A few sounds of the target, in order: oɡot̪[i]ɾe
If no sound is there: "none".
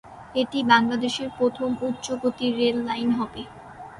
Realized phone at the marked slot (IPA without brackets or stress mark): i